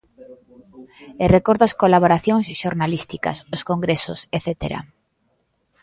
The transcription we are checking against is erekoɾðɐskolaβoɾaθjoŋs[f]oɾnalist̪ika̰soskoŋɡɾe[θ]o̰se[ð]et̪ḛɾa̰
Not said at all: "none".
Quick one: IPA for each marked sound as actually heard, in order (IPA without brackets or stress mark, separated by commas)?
ʃ, s, θ